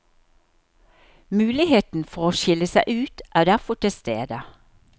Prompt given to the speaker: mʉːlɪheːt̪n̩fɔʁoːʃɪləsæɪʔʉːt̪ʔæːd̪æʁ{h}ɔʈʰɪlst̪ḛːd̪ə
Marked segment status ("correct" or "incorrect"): incorrect